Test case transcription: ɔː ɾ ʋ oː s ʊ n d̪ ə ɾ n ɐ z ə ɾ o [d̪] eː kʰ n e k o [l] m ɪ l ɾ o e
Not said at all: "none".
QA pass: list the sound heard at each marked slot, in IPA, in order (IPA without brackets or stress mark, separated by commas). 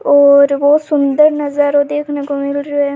d̪, none